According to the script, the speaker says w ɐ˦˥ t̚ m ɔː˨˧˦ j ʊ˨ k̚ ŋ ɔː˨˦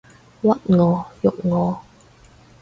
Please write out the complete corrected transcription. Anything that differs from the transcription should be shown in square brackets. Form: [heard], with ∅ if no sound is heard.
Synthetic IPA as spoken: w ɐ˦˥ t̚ [ŋ] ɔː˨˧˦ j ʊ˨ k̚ ŋ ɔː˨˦